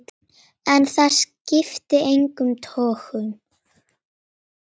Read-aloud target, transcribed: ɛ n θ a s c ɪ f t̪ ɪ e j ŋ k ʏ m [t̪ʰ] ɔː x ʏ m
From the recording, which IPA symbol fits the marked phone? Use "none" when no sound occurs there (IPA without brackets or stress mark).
t̪ʰ